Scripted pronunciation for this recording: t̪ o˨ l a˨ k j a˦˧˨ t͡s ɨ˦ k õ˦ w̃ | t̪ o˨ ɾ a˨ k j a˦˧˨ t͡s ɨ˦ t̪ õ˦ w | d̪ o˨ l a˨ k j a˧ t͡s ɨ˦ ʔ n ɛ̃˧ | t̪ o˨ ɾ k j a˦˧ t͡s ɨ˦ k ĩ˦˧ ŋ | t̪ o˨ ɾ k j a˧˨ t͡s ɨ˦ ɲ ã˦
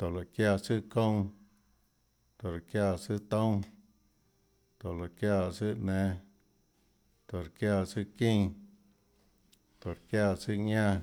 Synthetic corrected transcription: t̪ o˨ l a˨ k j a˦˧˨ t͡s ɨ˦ k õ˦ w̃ | t̪ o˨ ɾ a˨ k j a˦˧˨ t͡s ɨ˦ t̪ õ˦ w | t̪ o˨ l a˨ k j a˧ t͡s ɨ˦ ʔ n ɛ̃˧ | t̪ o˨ ɾ k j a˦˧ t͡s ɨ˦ k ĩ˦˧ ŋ | t̪ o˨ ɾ k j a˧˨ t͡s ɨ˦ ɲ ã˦